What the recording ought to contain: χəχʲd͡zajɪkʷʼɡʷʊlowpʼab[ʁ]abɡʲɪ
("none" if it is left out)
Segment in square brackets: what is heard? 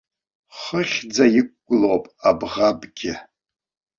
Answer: ʁ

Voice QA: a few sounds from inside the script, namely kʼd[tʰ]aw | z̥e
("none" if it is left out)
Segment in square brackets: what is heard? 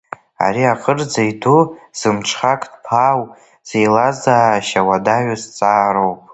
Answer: pʰ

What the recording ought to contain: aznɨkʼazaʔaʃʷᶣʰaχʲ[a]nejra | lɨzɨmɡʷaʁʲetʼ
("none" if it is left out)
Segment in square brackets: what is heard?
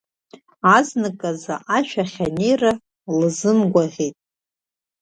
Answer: a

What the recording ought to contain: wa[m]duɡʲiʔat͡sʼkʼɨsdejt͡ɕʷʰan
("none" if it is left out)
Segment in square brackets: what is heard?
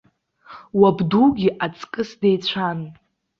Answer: b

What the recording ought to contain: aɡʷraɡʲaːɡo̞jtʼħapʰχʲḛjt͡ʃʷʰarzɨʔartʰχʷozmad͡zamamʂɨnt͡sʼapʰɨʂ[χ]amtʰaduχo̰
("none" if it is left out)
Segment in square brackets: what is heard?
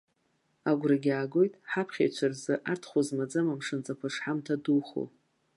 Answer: ħ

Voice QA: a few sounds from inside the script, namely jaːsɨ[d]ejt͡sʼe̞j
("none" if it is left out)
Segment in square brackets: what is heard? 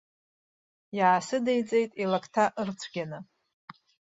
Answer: d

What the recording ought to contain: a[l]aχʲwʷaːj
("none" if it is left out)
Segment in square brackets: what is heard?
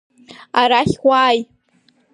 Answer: ɾ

